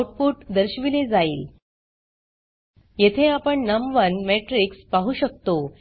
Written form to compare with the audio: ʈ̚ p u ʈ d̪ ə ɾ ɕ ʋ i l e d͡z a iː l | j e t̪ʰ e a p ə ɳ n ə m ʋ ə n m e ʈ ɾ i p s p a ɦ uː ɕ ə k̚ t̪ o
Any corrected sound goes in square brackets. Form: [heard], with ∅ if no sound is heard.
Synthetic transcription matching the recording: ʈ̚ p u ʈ d̪ ə ɾ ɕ ʋ i l e d͡z a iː l | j e t̪ʰ e a p ə ɳ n ə m ʋ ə n m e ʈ ɾ i [k] s p a ɦ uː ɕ ə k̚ t̪ o